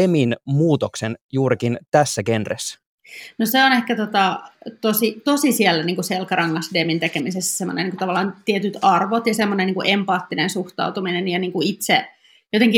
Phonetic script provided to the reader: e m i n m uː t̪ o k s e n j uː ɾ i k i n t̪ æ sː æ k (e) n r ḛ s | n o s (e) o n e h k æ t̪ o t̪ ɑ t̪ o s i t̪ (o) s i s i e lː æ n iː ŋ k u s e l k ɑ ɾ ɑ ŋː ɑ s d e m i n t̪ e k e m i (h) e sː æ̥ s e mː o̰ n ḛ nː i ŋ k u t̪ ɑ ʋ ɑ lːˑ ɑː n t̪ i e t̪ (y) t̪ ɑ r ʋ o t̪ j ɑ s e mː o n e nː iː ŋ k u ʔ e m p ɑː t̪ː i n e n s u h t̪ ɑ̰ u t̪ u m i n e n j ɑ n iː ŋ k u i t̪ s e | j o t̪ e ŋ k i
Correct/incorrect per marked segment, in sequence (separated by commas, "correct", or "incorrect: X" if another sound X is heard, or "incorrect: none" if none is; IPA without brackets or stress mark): correct, correct, correct, incorrect: s, correct